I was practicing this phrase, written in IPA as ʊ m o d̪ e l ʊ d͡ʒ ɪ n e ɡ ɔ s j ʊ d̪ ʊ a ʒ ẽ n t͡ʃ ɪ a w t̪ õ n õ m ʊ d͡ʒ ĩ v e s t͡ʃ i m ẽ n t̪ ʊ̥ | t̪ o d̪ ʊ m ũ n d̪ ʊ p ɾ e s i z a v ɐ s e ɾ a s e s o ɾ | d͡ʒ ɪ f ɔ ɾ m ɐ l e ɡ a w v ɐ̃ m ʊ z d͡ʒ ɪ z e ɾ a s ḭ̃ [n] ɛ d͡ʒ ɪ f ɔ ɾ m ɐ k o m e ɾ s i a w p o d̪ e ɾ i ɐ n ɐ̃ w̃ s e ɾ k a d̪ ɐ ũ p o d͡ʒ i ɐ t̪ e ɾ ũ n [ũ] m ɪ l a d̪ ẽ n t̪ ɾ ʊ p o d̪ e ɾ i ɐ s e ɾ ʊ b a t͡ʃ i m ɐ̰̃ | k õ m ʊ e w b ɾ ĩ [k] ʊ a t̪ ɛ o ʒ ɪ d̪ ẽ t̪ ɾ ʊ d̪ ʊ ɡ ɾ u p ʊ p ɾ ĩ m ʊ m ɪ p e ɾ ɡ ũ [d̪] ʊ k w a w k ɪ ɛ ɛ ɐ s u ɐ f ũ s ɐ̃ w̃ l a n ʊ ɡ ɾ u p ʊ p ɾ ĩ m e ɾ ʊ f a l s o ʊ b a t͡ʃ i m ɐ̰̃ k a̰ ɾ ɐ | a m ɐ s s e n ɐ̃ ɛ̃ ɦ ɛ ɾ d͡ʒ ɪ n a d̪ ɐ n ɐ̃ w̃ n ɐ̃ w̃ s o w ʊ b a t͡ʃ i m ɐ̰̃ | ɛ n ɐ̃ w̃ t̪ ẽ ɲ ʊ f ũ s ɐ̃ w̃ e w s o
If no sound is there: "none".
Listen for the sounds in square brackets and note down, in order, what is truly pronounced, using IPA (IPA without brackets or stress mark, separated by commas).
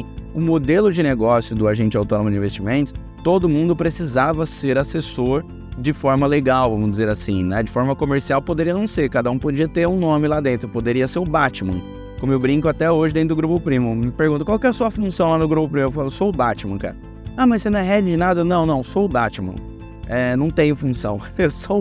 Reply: n, õ, k, t̪